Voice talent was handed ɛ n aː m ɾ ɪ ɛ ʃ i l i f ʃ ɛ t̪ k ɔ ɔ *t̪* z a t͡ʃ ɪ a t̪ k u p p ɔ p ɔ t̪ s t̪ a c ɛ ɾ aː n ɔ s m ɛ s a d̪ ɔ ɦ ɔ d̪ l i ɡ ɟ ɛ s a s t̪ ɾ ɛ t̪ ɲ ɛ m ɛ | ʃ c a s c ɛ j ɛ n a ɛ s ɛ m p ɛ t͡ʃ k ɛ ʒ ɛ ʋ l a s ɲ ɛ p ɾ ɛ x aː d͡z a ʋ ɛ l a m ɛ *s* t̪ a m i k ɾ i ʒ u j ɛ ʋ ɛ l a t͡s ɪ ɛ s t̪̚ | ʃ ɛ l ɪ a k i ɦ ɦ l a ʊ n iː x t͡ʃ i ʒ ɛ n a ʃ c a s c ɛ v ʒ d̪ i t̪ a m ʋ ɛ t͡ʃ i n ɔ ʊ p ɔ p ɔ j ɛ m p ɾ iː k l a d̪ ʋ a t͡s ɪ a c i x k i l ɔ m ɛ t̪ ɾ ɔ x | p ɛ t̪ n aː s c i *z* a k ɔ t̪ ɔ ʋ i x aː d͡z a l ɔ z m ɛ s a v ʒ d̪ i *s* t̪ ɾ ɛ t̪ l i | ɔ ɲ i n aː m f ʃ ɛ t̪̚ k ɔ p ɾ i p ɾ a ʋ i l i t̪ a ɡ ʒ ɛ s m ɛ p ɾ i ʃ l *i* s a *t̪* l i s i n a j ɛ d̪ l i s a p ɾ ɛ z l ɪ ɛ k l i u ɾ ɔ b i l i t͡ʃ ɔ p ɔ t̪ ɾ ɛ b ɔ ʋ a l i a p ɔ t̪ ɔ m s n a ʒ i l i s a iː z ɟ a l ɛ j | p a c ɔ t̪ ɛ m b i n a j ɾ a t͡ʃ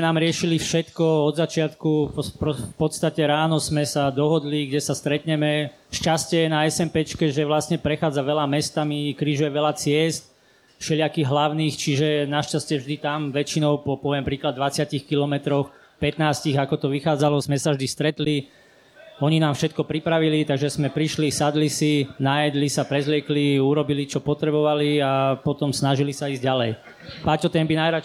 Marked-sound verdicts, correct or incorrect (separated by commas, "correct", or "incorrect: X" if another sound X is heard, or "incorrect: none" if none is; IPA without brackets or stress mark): incorrect: d̪, correct, incorrect: ɣ, correct, correct, incorrect: d̪